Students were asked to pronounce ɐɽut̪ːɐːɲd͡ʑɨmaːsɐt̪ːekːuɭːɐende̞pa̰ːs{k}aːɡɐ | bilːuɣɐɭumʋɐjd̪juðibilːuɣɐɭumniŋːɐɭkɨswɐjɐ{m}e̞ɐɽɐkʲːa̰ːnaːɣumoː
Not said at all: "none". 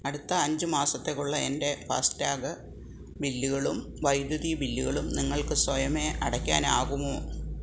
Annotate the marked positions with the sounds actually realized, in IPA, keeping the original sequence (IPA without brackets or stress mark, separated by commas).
t, m